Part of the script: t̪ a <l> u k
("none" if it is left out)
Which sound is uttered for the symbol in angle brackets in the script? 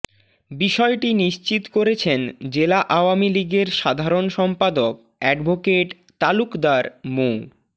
l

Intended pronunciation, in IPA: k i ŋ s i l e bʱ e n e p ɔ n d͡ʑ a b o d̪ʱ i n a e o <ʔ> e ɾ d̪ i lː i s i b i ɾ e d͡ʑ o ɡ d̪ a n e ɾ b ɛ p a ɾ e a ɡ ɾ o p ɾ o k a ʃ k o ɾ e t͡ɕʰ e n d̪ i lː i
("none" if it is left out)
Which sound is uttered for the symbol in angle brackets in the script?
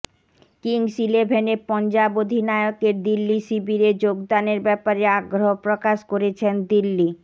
k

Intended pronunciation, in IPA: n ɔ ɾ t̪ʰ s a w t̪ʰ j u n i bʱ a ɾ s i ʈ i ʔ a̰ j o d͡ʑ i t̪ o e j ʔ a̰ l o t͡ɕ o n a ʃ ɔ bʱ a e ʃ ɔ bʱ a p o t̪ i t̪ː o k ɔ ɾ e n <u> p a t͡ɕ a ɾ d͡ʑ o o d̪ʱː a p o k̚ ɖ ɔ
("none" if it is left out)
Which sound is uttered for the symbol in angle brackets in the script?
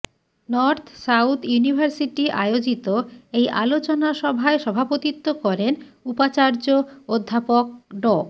u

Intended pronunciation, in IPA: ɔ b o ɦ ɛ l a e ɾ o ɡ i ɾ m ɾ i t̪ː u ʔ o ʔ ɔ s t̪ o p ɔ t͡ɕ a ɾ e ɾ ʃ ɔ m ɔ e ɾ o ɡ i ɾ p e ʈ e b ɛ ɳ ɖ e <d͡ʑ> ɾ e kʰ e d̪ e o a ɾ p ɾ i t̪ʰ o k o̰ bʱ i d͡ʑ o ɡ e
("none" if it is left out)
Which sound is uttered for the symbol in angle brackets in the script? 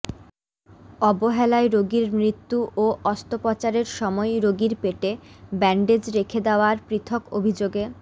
d͡ʑ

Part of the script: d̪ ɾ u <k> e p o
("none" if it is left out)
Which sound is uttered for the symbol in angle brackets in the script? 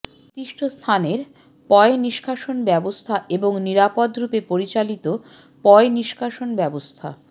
p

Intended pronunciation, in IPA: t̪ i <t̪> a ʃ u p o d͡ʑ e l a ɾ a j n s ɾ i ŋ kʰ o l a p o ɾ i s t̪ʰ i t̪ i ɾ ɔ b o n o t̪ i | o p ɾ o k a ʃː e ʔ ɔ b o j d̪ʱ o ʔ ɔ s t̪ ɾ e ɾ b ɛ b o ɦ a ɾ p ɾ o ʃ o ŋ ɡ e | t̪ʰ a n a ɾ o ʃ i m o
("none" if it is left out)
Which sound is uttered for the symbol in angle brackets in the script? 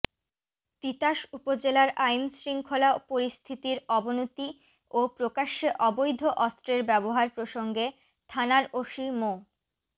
t̪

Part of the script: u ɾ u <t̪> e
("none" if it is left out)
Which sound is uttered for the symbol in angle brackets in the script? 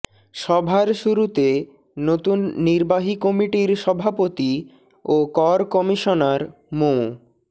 t̪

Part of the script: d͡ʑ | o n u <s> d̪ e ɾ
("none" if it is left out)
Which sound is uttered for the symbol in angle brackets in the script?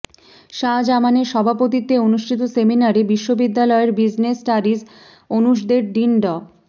ʃ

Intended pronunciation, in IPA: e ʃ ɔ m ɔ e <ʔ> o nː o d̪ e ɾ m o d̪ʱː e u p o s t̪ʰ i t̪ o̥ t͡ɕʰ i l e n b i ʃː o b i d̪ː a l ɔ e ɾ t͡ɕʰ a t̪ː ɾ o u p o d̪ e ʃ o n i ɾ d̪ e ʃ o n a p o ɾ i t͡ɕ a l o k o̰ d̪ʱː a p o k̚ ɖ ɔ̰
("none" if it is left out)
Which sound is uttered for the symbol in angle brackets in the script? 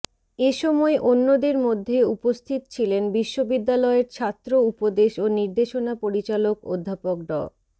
ʔ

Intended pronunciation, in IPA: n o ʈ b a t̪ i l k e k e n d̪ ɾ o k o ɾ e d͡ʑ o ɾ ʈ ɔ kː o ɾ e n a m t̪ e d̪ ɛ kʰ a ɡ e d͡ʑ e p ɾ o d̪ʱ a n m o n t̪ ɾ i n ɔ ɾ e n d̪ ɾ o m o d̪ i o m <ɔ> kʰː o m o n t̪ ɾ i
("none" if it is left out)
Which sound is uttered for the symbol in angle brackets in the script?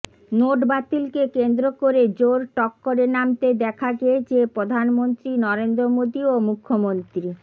u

